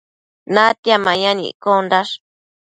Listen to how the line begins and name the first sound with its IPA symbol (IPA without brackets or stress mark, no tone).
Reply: n